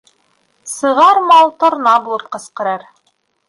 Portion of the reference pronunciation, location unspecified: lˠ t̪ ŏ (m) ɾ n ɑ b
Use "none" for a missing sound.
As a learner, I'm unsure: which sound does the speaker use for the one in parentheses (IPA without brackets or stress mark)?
none